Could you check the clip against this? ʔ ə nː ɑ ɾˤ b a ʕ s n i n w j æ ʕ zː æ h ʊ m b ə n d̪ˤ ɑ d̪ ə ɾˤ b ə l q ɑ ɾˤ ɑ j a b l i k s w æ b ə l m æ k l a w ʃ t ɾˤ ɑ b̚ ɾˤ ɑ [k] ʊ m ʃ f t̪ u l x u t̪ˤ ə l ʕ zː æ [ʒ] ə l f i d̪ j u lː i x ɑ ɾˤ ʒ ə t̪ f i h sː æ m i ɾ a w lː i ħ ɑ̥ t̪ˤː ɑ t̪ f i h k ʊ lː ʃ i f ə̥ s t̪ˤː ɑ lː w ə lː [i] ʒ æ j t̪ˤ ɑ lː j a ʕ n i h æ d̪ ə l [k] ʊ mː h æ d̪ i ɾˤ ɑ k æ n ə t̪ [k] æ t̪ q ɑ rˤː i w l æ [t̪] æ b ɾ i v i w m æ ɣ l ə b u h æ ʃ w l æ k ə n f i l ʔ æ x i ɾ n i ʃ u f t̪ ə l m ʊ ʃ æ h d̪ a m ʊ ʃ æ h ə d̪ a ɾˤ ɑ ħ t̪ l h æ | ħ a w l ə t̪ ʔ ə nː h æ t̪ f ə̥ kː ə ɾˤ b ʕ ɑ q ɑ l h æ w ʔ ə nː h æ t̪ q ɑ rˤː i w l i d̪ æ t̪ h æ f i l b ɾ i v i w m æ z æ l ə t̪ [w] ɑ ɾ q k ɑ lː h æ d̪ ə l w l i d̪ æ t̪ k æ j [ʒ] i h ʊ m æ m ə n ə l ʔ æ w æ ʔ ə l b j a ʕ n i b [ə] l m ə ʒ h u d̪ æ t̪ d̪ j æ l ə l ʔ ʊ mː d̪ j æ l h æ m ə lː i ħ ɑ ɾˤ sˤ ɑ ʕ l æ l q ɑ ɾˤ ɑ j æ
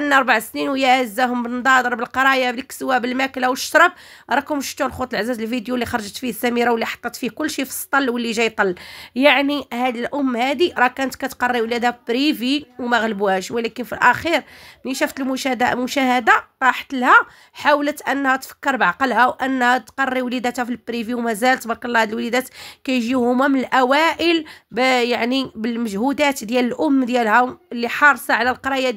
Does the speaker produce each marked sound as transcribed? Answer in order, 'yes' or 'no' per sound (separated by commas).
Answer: yes, no, yes, no, yes, no, no, yes, yes